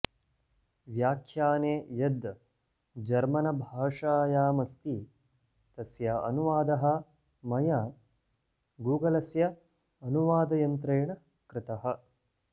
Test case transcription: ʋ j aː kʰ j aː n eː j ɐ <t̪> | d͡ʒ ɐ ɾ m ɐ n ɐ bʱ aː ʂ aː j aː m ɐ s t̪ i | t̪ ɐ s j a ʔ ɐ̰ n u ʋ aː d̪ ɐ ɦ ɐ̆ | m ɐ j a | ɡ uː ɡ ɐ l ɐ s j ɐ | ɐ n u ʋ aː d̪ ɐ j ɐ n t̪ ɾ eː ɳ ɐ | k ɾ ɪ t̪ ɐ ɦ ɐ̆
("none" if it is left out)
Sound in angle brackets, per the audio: d̪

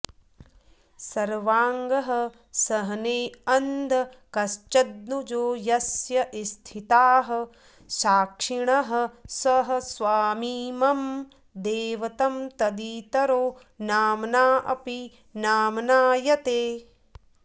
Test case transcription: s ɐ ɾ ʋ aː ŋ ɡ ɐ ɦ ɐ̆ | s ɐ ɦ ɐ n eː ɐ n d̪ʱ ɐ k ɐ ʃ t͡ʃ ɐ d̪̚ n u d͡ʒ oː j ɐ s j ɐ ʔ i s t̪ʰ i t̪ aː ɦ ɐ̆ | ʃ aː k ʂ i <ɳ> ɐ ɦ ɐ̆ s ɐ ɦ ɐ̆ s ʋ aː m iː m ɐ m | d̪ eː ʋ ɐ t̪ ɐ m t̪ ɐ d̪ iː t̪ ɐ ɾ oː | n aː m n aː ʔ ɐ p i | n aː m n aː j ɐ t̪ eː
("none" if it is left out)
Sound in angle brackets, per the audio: ɳ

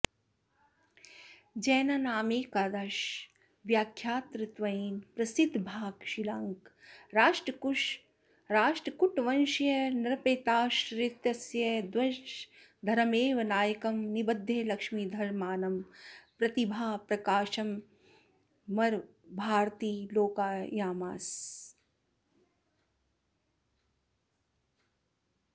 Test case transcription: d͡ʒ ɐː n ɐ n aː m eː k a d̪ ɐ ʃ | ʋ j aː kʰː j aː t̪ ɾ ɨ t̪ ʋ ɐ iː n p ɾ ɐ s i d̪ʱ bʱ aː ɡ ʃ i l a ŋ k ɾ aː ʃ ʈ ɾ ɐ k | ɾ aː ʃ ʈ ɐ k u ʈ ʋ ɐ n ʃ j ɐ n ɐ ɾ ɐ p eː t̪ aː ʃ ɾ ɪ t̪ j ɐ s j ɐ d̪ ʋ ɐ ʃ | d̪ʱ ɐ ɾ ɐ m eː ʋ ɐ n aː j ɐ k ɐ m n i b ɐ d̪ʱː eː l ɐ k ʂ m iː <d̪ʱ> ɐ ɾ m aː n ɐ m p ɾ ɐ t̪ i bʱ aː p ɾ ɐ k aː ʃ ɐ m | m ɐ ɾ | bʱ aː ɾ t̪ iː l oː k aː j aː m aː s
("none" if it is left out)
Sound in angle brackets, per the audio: d̪ʱ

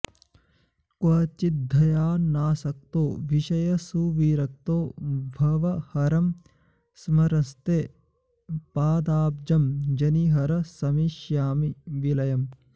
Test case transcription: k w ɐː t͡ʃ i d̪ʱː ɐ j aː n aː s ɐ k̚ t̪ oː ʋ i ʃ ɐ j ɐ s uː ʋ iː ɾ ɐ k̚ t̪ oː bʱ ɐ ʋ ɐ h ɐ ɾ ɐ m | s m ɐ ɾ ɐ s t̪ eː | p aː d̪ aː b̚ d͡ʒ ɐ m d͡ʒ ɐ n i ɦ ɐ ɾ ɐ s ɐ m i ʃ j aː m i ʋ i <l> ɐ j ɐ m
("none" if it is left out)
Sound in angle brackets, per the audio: l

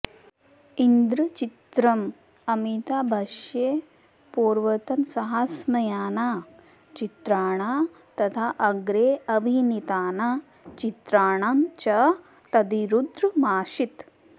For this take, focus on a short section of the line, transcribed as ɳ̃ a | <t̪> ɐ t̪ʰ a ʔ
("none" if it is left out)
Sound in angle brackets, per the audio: t̪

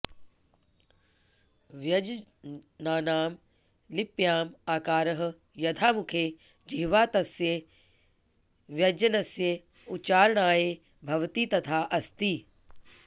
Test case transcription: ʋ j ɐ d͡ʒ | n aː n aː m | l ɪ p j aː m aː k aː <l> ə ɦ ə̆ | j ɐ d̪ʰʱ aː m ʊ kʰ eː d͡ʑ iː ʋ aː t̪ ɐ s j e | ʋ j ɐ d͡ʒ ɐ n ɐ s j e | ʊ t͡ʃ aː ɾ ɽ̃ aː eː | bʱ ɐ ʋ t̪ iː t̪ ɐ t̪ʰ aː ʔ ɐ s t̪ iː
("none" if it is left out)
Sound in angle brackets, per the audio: ɾ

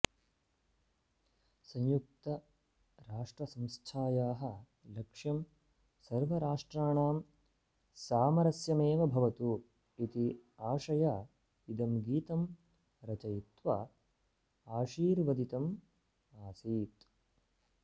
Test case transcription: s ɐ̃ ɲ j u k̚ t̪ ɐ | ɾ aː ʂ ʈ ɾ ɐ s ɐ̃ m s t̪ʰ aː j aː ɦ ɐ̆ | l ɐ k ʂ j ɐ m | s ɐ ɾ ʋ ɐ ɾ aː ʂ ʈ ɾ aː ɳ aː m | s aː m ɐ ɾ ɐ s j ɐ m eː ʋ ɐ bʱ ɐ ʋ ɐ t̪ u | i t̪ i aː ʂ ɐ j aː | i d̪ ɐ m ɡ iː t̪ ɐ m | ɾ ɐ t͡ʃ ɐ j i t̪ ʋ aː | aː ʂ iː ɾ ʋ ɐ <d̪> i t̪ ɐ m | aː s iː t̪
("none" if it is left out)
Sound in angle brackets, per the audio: d̪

